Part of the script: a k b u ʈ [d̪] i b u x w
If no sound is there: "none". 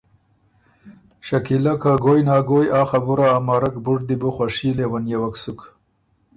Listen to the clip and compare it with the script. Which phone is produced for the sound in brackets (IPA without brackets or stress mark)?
d̪